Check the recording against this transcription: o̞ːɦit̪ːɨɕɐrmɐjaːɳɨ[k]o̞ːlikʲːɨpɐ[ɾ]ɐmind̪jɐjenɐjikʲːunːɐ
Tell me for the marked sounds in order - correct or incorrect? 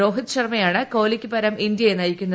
correct, correct

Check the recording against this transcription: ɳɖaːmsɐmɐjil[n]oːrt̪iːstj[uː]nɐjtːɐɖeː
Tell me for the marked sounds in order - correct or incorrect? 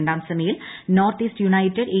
correct, incorrect

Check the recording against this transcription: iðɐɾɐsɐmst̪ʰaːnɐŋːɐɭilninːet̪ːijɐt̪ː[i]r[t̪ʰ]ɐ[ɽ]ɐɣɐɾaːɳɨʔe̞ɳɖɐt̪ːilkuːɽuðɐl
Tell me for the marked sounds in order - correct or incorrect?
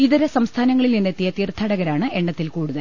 incorrect, correct, correct

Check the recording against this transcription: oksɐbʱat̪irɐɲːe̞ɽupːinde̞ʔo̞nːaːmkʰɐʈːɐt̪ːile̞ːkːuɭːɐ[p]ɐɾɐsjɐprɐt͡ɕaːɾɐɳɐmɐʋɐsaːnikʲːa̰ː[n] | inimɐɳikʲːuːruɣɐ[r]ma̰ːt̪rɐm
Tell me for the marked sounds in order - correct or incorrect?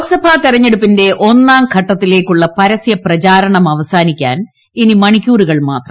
correct, correct, incorrect

